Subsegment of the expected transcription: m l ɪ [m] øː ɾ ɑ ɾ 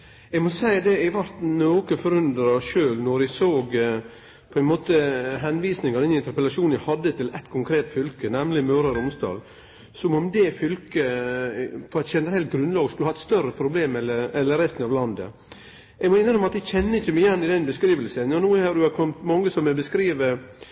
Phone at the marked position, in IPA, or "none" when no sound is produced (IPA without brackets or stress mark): m